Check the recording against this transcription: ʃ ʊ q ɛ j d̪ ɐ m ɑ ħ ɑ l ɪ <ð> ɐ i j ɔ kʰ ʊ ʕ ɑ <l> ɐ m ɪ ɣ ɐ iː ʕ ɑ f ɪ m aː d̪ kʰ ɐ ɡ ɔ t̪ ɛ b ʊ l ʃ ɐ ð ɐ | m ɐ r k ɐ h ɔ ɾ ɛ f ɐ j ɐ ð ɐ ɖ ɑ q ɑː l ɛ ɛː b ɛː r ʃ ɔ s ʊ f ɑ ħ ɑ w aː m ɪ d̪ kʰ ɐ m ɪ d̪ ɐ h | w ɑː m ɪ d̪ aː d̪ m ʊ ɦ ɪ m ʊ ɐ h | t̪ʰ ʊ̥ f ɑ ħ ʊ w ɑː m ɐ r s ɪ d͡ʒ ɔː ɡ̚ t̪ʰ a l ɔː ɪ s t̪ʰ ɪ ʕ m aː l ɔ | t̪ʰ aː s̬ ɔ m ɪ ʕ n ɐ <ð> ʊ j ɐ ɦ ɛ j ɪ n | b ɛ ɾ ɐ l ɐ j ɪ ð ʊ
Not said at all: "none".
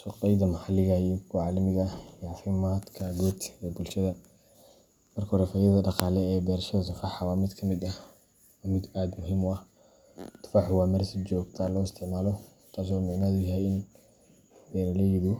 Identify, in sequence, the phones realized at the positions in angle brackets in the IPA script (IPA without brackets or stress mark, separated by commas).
ɣ, l, ð